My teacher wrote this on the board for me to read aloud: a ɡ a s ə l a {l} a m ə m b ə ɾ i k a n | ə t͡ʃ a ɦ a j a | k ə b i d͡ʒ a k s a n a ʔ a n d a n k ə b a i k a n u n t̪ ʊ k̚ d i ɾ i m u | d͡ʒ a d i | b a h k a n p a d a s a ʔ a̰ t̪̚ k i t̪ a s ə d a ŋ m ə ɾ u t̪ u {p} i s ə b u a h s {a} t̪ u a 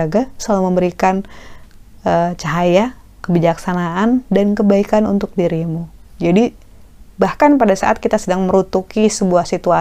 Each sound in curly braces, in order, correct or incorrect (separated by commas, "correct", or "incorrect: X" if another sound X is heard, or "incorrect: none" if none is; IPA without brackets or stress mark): correct, incorrect: k, incorrect: i